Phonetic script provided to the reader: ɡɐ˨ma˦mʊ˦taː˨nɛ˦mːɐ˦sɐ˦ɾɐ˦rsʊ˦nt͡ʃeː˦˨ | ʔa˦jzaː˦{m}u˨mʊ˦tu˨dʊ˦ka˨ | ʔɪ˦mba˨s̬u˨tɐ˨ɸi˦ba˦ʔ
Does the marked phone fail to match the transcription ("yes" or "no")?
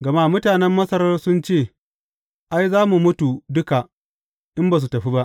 no